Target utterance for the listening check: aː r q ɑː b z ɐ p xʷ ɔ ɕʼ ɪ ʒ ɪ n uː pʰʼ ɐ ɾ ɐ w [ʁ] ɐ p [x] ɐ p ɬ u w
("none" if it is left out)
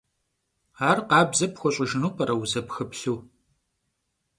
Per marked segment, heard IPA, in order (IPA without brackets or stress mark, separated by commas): z, x